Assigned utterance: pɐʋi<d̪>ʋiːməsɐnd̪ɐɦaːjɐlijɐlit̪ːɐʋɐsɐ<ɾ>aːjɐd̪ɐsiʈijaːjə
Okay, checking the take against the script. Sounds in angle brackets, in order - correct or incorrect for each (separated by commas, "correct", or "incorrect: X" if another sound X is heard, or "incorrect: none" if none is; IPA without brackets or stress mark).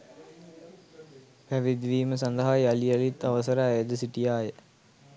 correct, correct